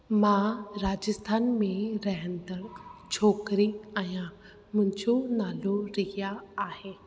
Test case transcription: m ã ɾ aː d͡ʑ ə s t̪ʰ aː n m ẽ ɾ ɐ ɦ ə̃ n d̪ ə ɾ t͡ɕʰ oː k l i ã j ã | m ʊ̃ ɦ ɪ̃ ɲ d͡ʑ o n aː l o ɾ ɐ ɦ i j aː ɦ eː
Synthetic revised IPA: m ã ɾ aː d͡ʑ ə s t̪ʰ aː n m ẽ ɾ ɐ ɦ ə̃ n d̪ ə ɾ t͡ɕʰ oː k ɾ i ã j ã | m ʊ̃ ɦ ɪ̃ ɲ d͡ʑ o n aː l o ɾ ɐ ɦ i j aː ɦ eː